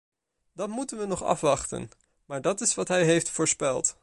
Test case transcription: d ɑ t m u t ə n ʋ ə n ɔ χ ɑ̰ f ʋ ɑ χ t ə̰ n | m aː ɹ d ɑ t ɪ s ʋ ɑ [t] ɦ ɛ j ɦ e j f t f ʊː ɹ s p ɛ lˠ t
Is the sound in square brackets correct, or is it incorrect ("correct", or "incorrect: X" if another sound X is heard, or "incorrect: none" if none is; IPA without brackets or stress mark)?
correct